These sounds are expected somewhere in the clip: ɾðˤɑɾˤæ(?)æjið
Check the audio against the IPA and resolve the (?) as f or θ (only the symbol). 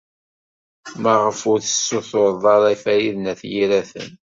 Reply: f